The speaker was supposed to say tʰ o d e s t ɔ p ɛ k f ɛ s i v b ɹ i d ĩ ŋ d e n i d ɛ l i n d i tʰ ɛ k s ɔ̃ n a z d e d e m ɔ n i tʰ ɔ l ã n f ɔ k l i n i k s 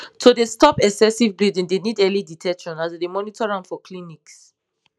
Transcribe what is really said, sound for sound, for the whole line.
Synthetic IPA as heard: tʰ o d e s t ɔ p ɛ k s ɛ s i v b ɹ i d ĩ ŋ d e n i d ɛ l i d i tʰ ɛ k ʃ ɔ̃ n a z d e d e m ɔ n i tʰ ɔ ɹ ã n f ɔ k l i n i k s